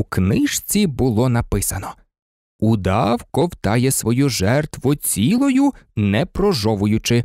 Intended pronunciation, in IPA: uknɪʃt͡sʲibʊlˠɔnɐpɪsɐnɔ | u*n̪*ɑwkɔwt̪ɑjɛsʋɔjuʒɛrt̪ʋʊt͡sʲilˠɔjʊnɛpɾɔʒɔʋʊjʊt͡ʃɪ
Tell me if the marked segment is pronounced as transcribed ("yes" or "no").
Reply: no